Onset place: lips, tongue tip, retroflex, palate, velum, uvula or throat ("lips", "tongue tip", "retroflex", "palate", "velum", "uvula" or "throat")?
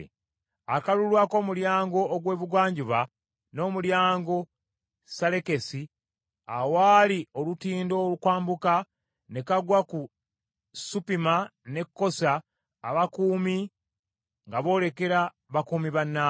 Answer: velum